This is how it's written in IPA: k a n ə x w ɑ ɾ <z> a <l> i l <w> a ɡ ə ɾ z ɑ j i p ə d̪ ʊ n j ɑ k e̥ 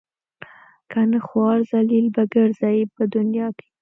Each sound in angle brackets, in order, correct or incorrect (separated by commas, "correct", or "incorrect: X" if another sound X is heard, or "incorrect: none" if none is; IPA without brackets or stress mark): correct, correct, incorrect: b